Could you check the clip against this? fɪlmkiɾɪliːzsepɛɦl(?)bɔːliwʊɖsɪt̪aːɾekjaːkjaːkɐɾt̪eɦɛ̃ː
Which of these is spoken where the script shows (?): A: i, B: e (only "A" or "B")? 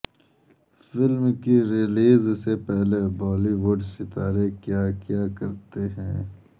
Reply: B